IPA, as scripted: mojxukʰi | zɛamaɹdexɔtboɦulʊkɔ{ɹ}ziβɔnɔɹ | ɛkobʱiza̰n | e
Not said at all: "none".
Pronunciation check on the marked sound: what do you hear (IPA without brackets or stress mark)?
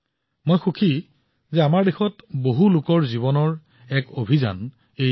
ɹ